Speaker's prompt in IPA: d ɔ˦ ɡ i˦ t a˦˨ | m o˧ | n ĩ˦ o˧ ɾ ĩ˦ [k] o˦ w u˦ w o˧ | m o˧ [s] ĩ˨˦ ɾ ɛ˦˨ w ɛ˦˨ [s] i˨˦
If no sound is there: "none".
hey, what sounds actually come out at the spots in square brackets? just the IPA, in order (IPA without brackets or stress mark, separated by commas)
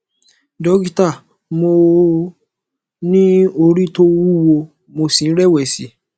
t, s, s